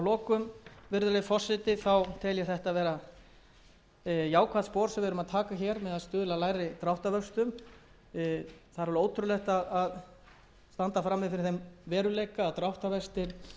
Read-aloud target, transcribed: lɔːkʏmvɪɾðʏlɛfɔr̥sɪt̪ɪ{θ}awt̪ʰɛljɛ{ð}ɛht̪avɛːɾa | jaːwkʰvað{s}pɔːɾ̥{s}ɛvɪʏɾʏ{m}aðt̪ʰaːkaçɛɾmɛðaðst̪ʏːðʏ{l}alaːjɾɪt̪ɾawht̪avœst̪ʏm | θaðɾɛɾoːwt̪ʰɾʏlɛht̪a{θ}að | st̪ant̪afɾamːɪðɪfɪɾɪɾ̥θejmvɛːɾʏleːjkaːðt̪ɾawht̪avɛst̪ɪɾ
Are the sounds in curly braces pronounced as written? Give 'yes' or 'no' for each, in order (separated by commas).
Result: yes, no, yes, yes, yes, yes, no